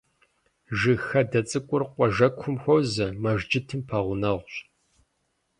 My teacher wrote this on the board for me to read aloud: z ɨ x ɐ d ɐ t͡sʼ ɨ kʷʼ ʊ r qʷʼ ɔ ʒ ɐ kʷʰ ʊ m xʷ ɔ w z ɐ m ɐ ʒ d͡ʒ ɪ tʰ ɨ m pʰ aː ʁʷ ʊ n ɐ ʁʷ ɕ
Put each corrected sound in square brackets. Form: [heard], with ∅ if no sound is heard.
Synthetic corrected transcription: [ʒ] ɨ x ɐ d ɐ t͡sʼ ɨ kʷʼ ʊ r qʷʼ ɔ ʒ ɐ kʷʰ ʊ m xʷ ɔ w z ɐ m ɐ ʒ d͡ʒ ɪ tʰ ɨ m pʰ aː ʁʷ ʊ n ɐ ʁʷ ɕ